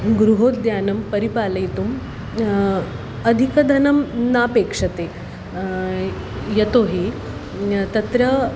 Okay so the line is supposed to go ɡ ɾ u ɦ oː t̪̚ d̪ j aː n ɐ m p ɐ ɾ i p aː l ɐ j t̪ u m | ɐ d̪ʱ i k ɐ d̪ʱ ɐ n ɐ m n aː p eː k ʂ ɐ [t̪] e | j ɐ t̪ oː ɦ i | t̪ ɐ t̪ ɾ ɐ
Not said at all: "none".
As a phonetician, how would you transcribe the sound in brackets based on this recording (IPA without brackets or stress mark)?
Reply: t̪